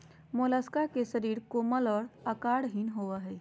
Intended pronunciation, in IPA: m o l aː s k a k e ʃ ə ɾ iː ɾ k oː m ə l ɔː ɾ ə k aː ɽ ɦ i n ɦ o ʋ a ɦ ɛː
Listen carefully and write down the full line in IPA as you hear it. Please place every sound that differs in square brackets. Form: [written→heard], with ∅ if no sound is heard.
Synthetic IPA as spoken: m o l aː s k a k e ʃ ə ɾ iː ɾ k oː m ə l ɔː ɾ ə k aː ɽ ɦ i n ɦ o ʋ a ɦ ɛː